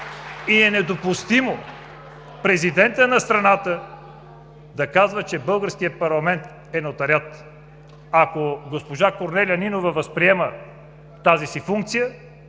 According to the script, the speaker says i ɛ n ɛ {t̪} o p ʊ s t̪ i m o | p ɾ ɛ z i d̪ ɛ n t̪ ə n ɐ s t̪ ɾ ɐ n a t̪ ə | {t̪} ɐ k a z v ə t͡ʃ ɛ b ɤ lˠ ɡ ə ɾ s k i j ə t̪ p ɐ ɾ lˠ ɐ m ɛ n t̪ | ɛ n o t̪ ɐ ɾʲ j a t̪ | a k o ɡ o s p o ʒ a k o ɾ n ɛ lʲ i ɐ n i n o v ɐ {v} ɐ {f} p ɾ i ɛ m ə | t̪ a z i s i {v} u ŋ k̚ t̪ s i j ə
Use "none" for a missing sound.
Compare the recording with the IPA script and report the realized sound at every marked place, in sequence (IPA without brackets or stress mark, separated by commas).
d̪, d̪, v, s, f